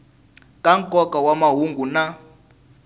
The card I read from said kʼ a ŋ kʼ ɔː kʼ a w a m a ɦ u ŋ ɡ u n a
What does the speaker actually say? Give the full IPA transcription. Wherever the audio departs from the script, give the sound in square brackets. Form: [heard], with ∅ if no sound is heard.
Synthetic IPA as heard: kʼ a ŋ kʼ [ɔ] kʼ a w a m a ɦ u ŋ ɡ u n a